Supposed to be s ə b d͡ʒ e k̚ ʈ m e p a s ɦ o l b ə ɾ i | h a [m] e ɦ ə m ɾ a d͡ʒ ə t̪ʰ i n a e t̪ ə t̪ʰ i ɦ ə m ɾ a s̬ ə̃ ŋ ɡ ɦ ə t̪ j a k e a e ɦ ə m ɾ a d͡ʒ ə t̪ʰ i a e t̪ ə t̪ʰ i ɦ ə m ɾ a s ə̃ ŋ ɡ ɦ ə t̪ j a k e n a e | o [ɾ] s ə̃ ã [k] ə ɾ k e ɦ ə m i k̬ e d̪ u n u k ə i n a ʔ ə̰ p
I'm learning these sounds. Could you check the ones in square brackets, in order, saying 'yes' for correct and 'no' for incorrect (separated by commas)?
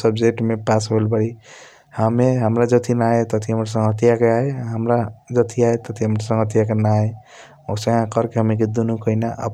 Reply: yes, no, yes